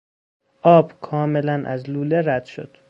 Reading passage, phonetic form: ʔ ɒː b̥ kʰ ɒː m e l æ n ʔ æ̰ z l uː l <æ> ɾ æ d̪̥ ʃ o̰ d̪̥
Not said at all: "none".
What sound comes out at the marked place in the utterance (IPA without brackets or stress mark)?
e